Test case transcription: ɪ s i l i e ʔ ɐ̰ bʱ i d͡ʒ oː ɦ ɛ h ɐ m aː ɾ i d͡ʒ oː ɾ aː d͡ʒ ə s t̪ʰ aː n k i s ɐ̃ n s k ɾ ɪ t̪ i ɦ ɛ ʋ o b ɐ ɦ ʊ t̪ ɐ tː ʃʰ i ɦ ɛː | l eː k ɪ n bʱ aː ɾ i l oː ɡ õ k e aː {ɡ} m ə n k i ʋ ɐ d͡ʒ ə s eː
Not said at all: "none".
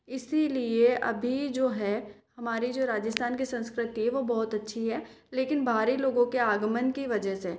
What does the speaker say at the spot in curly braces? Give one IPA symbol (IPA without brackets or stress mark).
ɡ